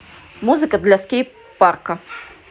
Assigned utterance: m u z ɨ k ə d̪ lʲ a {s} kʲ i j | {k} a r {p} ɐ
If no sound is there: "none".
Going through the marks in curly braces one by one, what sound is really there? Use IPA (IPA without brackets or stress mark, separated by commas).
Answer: s, p, k